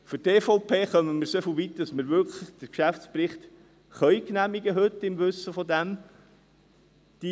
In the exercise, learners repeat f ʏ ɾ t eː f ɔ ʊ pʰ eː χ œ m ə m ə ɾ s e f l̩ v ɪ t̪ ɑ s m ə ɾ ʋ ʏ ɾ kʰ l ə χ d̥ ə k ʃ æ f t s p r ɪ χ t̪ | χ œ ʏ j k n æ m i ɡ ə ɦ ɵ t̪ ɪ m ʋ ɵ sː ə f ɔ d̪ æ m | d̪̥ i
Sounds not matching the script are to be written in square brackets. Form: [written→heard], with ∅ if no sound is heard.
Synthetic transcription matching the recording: f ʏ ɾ t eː f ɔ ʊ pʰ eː χ œ m ə m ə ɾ s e f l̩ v [ɪ→i] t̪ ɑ s m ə ɾ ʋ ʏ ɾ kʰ l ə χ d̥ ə k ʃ æ f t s p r ɪ χ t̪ | χ œ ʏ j k n æ m i ɡ ə ɦ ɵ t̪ ɪ m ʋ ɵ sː ə f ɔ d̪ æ m | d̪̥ i